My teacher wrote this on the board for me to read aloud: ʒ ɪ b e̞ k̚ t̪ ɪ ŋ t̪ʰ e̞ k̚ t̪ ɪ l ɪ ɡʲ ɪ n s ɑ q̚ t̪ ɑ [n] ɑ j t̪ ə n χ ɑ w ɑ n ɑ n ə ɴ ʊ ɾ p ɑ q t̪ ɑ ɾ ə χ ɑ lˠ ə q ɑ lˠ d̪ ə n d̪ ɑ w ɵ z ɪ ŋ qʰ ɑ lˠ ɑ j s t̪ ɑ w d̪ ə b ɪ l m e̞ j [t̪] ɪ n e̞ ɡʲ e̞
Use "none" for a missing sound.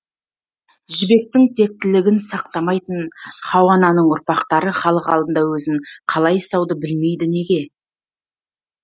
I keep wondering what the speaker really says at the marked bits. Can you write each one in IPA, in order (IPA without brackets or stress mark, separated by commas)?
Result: m, d̪